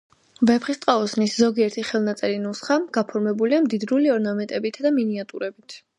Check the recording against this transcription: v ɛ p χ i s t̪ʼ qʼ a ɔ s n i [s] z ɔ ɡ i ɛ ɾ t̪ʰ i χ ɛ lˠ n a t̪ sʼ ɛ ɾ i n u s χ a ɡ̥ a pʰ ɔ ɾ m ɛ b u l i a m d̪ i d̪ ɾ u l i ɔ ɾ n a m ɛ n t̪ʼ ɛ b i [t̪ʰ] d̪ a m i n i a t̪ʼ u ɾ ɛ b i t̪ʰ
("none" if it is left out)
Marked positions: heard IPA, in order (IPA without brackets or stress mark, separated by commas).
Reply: s, t̪ʰ